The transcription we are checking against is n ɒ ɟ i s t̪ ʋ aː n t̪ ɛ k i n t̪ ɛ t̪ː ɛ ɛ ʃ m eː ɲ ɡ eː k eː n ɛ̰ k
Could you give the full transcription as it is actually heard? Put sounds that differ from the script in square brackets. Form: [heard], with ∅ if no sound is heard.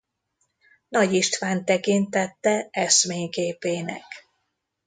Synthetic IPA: n ɒ ɟ i [ʃ] t̪ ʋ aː n t̪ ɛ k i n t̪ ɛ t̪ː ɛ ɛ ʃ m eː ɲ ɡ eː [p] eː n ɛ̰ k